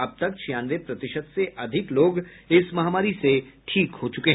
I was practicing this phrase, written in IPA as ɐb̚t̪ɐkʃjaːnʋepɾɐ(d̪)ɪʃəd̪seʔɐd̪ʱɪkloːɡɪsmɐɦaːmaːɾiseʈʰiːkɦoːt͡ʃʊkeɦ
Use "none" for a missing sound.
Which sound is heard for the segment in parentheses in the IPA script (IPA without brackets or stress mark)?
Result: t̪